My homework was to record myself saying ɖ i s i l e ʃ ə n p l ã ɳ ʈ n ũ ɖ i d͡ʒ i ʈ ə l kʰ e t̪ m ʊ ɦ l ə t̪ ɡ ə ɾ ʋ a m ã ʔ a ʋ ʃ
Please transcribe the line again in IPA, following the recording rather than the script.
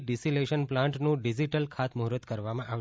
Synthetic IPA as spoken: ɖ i s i l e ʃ ə n p l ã ɳ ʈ n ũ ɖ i d͡ʒ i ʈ ə l kʰ a t̪ m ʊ ɦ ɾ ə t̪ k ə ɾ ʋ a m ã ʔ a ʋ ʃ